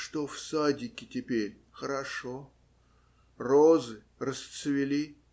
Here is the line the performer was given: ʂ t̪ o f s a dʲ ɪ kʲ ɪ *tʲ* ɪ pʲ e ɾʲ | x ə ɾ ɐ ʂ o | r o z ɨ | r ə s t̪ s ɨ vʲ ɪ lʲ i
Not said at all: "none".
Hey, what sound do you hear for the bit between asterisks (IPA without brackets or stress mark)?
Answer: tʲ